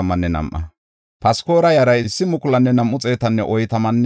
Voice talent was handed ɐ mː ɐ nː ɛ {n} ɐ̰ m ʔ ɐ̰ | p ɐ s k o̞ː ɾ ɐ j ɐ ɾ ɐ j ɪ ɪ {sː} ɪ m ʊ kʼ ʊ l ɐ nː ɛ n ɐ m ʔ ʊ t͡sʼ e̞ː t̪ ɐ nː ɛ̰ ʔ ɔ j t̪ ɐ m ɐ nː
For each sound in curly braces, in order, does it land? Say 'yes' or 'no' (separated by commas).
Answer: yes, yes